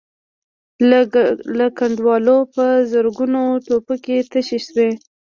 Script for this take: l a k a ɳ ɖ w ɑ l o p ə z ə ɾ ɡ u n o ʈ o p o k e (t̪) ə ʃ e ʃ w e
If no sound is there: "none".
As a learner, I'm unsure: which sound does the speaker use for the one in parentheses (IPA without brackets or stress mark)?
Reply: t̪